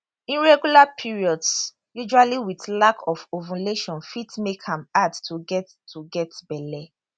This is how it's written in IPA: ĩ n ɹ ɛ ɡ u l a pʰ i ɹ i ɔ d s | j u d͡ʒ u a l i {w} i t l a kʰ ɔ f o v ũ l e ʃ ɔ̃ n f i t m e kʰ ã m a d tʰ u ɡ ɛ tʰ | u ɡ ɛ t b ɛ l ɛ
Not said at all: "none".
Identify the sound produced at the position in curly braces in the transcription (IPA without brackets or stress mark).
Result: w